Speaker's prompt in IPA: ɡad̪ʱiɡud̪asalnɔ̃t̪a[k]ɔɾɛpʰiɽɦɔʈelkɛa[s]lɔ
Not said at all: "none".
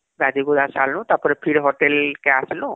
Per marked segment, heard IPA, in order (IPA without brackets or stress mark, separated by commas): p, s